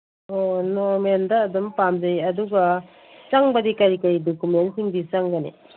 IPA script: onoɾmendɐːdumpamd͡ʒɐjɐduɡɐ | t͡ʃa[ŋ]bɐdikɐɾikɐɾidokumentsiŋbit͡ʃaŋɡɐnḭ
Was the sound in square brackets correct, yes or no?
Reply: yes